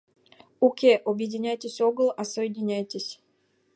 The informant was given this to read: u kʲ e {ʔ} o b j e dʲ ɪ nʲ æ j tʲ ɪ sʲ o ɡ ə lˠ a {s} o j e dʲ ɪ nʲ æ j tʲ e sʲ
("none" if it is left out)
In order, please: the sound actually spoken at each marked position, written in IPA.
ʔ, s

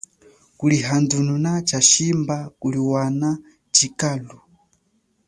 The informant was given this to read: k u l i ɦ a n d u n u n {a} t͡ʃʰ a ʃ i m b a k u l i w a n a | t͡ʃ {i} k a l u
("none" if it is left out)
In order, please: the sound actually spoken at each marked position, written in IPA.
a, i

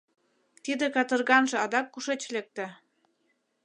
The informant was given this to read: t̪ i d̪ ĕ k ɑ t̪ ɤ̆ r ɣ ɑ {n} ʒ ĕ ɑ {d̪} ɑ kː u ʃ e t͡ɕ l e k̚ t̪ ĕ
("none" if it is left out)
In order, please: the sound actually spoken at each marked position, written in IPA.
n, d̪

